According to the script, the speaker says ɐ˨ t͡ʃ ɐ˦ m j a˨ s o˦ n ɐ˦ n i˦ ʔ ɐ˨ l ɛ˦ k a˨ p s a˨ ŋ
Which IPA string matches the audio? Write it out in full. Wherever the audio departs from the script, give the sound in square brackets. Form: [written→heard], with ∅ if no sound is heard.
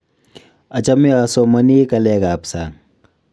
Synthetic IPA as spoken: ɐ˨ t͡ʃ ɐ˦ m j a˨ s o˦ [n→m] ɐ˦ n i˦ [ʔ→k] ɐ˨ l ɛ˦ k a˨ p s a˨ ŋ

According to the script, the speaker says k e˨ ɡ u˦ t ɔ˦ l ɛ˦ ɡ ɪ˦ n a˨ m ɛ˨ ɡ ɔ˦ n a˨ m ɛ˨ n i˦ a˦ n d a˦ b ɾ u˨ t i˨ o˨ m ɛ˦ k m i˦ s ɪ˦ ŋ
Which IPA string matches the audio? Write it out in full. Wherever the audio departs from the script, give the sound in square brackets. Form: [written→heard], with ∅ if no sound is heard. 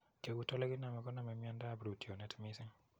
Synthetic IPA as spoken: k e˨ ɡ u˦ t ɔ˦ l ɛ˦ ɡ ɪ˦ n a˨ m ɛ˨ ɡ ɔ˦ n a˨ m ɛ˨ [n→m] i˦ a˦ n d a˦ b ɾ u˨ t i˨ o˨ [m→n] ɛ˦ [k→t] m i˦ s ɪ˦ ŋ

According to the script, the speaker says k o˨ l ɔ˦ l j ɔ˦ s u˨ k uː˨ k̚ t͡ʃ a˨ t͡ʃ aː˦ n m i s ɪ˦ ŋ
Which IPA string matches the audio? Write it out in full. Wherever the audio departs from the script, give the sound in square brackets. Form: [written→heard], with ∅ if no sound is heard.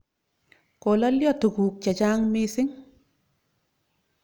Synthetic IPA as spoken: k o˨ l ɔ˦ l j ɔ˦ [s→t] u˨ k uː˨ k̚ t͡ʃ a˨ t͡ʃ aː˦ [n→ŋ] m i s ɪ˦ ŋ

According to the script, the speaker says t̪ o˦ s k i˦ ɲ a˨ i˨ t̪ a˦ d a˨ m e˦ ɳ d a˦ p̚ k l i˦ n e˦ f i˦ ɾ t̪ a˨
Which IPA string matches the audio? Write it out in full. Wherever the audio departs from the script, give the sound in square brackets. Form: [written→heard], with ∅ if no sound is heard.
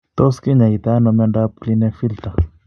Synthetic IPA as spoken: t̪ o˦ s k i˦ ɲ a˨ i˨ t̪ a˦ [d→n] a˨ m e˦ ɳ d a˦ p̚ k l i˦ n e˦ f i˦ [ɾ→l] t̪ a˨

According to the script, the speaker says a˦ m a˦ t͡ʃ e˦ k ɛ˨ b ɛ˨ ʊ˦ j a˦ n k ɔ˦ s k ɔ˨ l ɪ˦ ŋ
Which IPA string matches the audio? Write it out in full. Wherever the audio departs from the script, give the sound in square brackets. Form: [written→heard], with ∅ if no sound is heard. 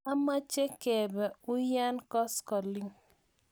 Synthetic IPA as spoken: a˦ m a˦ t͡ʃ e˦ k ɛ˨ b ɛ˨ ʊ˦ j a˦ n k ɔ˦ s k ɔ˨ l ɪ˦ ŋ

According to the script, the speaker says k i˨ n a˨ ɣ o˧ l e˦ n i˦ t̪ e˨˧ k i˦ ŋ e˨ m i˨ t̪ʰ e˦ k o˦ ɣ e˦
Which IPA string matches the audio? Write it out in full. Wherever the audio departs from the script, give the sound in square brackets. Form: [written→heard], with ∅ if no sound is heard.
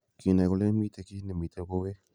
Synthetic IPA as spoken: k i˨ n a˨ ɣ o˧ l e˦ [n→m] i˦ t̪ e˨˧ k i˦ [ŋ→n] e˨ m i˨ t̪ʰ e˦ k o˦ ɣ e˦

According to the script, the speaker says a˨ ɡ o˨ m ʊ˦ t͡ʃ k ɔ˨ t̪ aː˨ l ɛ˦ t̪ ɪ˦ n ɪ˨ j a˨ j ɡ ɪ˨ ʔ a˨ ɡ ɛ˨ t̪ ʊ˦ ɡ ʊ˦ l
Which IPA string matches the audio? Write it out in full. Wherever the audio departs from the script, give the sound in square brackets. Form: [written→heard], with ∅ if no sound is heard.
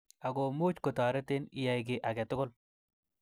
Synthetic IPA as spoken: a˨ ɡ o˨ m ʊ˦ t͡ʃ k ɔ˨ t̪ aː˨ [l→ɾ] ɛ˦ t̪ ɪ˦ n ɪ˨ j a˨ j ɡ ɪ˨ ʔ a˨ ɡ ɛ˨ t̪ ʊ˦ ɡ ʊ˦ l

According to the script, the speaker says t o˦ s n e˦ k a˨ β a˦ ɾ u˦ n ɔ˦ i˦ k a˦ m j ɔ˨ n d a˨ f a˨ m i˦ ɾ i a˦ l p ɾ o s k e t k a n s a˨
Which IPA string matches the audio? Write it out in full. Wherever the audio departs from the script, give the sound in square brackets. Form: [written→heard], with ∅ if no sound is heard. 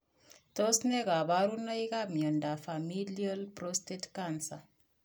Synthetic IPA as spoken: t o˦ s n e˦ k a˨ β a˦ ɾ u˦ n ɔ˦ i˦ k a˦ m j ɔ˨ n d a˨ f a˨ m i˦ [ɾ→l] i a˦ l p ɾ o s [k→t] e t k a n s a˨

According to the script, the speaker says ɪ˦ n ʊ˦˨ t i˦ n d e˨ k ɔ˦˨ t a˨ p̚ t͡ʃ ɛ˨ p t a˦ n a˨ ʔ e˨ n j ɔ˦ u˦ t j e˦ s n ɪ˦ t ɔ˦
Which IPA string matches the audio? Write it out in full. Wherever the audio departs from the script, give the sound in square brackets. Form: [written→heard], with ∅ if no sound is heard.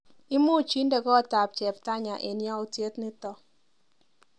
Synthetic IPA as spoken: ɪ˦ [n→m] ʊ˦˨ [t→t͡ʃ] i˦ n d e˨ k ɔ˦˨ t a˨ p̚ t͡ʃ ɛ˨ p t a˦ [n→ɲ] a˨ ʔ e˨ n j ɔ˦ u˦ t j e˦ [s→t] n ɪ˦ t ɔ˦

